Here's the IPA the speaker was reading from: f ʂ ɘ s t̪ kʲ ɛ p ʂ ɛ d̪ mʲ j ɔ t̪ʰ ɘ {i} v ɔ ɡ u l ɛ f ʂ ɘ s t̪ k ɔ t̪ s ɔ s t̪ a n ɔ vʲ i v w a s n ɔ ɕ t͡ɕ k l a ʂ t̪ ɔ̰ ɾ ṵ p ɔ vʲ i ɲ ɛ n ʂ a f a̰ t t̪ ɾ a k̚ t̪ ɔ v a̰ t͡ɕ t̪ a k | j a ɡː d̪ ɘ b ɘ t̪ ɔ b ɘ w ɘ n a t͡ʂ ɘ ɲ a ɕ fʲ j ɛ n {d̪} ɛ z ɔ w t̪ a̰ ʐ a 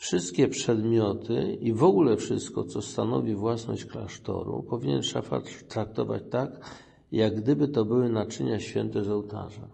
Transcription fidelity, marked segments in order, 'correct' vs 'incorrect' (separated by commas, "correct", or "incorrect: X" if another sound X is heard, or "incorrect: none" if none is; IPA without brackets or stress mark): correct, incorrect: t̪